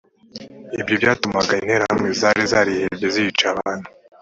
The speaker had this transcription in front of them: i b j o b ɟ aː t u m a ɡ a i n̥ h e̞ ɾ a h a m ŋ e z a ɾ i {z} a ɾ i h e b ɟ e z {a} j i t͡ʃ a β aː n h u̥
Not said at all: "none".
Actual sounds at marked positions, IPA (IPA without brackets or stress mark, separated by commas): z, i